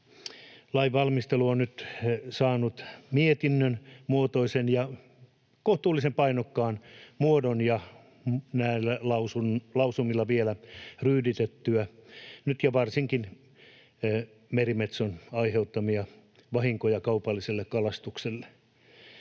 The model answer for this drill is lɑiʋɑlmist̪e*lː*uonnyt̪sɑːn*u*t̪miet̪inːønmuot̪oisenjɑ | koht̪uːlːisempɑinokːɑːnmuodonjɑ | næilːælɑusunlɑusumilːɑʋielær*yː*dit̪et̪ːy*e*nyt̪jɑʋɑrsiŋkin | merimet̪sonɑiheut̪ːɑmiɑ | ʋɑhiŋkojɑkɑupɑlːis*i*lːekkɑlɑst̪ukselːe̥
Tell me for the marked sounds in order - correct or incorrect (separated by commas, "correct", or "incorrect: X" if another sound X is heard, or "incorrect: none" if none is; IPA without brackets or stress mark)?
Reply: incorrect: l, correct, correct, incorrect: æ, incorrect: e